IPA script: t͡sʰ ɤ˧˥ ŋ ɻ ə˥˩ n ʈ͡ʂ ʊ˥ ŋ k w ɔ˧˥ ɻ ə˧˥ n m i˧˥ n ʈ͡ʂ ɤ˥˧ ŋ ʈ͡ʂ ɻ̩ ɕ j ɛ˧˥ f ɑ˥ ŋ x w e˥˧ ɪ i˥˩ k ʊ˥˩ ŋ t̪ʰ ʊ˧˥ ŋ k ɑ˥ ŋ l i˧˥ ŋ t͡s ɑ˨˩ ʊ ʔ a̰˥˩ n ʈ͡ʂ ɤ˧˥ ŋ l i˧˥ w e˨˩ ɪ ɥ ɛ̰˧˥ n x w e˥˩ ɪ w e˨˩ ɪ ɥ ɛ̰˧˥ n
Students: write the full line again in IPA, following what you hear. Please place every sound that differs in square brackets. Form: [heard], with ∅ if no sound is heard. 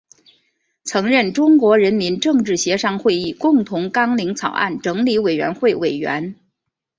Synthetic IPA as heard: t͡sʰ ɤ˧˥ ŋ ɻ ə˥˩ n ʈ͡ʂ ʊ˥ ŋ k w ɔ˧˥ ɻ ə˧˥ n m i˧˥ n ʈ͡ʂ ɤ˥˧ ŋ ʈ͡ʂ ɻ̩ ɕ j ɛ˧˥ [ʂ] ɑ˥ ŋ x w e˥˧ ɪ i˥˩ k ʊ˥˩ ŋ t̪ʰ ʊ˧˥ ŋ k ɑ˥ ŋ l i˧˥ ŋ [t͡sʰ] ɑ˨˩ ʊ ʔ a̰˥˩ n ʈ͡ʂ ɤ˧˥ ŋ l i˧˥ w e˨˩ ɪ ɥ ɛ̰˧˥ n x w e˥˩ ɪ w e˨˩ ɪ ɥ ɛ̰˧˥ n

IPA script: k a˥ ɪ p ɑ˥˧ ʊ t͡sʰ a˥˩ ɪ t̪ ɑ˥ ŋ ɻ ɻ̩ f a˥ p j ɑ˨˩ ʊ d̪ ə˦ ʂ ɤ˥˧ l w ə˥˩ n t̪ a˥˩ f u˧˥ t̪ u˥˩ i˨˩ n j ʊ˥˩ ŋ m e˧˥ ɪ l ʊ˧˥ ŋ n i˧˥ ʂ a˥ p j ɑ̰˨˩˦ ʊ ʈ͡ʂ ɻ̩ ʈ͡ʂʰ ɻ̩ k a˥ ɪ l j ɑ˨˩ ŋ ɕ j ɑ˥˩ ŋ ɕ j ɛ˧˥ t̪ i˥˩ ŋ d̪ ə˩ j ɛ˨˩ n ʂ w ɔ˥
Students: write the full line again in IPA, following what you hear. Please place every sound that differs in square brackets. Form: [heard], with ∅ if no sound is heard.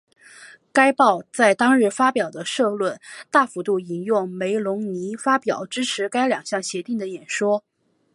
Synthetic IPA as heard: k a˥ ɪ p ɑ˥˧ ʊ [t͡s] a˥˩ ɪ t̪ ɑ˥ ŋ ɻ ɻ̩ f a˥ p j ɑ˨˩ ʊ d̪ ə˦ ʂ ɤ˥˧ l w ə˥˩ n t̪ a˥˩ f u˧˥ t̪ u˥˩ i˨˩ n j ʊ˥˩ ŋ m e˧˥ ɪ l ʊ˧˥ ŋ n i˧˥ [f] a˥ p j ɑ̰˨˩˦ ʊ ʈ͡ʂ ɻ̩ ʈ͡ʂʰ ɻ̩ k a˥ ɪ l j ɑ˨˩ ŋ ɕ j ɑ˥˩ ŋ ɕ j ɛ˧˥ t̪ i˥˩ ŋ d̪ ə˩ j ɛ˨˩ n ʂ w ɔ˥

